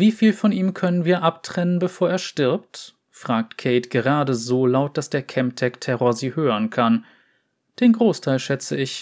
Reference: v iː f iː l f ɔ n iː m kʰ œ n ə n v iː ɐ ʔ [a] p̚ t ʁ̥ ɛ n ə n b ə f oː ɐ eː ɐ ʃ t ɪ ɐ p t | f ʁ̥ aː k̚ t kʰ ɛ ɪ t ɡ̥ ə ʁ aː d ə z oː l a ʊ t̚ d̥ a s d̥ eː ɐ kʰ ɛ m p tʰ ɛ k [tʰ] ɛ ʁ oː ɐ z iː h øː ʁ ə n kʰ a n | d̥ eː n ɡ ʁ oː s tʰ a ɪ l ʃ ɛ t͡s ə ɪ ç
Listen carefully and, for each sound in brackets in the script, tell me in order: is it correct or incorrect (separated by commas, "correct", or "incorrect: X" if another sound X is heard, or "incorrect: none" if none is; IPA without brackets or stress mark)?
correct, correct